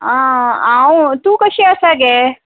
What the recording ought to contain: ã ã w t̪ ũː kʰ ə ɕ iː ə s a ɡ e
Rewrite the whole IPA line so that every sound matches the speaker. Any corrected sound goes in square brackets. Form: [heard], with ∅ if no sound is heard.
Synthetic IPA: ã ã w t̪ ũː [k] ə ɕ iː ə s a ɡ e